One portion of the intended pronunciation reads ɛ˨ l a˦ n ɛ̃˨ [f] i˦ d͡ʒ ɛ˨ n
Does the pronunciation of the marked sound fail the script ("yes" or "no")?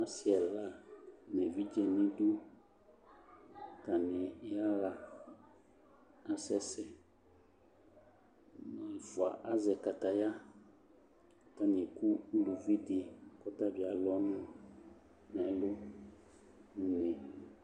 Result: yes